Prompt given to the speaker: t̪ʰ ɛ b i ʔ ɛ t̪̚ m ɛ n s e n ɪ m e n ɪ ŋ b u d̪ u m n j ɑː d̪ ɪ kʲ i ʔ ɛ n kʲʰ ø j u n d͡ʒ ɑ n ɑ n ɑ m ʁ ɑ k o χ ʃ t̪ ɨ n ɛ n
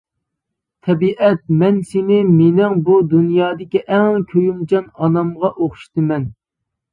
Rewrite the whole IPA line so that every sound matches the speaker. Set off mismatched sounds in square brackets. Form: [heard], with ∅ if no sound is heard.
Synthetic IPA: t̪ʰ ɛ b i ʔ ɛ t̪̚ m ɛ n s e n ɪ m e n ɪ ŋ b u d̪ u [∅] n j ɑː d̪ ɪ kʲ i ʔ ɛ [ŋ] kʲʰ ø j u [m] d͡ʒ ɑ n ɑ n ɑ m ʁ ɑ [ʔ] o χ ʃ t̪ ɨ [m] ɛ n